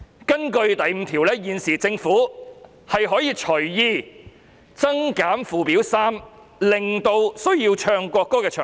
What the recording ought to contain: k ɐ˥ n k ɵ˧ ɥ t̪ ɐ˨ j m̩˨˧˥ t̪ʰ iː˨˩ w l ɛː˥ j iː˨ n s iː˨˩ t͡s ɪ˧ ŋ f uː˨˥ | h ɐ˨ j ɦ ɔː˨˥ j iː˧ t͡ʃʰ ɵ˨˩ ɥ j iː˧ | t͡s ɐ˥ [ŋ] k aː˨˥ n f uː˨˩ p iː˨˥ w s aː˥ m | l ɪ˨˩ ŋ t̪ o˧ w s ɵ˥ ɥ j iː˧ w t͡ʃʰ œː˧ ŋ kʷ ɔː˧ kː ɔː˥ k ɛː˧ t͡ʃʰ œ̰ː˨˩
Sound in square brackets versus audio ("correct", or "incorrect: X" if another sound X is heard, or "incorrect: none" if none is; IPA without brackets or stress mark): correct